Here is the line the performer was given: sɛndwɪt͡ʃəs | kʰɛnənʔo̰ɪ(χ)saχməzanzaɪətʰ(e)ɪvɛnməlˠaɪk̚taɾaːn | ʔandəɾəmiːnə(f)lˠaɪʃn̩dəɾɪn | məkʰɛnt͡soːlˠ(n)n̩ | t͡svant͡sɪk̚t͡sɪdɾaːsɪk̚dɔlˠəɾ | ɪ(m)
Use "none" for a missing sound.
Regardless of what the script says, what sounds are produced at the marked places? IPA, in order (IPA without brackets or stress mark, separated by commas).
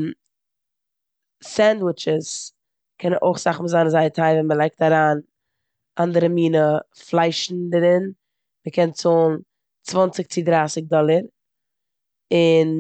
χ, a, f, n, n